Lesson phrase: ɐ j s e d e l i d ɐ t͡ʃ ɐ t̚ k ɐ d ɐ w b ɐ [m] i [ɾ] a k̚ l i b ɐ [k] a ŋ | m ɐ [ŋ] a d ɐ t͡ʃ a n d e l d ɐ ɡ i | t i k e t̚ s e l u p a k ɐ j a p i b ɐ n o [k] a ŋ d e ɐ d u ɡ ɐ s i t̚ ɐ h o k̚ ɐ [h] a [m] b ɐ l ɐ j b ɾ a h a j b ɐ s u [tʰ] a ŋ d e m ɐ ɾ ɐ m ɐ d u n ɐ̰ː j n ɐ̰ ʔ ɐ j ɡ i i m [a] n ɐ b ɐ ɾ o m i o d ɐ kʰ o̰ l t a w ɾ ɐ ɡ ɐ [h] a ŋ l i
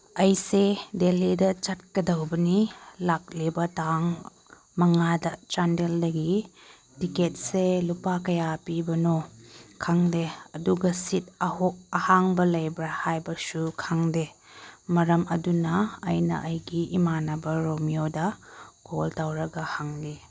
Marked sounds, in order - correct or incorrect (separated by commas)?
incorrect, incorrect, incorrect, correct, incorrect, correct, incorrect, incorrect, correct, correct